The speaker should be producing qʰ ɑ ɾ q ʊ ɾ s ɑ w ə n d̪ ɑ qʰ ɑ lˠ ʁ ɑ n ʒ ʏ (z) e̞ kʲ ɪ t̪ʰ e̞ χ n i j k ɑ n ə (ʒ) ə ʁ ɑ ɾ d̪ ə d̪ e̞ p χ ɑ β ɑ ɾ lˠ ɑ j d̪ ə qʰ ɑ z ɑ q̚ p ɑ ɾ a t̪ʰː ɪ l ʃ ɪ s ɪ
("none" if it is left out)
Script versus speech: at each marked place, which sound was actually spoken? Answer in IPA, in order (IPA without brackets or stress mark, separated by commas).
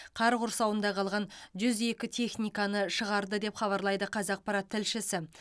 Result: z, ʃ